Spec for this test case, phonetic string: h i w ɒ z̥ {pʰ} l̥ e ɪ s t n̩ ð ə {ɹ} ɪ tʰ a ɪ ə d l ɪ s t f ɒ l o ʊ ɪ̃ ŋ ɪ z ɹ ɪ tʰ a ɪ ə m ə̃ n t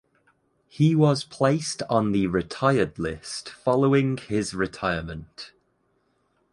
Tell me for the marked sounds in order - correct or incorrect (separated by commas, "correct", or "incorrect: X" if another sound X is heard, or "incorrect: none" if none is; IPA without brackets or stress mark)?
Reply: correct, correct